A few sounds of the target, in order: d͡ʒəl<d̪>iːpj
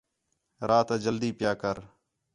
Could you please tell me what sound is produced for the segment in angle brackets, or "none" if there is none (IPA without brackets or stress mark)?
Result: d̪